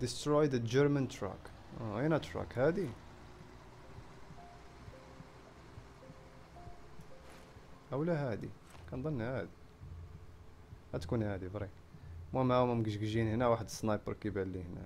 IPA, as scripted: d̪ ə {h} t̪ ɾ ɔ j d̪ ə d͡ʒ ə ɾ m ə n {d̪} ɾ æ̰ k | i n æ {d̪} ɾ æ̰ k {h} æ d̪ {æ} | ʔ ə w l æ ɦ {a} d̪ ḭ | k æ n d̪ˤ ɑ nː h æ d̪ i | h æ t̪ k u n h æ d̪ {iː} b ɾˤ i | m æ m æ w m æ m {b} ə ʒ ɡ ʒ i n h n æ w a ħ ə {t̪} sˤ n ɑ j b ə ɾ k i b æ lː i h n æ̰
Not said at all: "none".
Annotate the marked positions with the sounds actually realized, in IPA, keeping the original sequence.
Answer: s, t̪, t̪, h, i, æ, i, ɡ, d̪

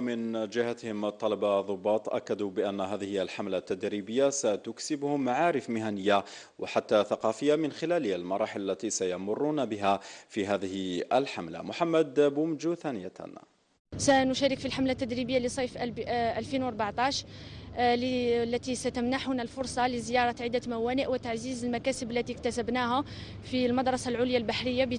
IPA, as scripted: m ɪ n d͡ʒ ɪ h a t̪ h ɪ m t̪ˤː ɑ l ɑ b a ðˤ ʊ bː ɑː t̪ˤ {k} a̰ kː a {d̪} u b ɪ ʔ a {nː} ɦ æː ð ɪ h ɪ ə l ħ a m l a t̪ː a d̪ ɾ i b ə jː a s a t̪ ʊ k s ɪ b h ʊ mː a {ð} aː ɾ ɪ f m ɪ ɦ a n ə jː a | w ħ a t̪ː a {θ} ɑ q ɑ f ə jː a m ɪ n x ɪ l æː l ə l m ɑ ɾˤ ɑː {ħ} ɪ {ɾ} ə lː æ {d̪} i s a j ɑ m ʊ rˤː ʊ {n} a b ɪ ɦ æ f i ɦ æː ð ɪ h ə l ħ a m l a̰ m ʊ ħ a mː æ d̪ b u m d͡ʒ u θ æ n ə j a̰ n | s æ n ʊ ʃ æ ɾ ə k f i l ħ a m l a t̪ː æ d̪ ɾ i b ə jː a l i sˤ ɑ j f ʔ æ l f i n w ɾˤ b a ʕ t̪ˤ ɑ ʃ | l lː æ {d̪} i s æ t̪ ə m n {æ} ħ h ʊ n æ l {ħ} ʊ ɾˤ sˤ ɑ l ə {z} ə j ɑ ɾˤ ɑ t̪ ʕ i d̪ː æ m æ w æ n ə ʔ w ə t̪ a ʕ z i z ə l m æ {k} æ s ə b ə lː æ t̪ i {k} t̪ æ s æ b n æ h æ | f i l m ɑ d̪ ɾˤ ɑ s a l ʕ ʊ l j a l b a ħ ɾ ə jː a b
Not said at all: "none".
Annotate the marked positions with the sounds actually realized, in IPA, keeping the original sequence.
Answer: ʔ, d̪, nː, ʕ, θ, ħ, l, t̪, n, t̪, a, f, z, k, k

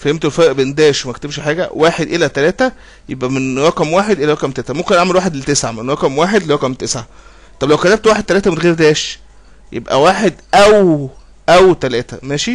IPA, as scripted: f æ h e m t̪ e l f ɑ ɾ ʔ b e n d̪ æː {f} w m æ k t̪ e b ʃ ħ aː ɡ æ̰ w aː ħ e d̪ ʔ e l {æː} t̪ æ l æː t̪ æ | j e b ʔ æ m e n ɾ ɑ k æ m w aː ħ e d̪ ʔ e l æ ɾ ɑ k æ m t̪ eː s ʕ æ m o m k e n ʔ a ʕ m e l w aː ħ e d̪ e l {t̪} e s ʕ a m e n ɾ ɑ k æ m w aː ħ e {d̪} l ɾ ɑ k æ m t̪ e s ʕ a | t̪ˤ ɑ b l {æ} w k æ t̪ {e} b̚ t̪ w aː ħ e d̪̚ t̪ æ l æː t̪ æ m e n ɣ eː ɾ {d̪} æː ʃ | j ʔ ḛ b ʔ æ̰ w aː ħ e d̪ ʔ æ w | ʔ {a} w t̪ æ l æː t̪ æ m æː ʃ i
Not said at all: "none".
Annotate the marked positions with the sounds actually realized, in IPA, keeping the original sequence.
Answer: ʃ, æ, t̪, d̪, æ, æ, d̪, æ

